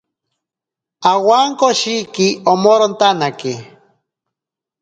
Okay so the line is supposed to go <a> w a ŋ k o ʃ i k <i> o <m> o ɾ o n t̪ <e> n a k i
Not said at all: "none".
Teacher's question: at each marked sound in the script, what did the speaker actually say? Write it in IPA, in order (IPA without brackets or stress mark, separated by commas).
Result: a, i, m, a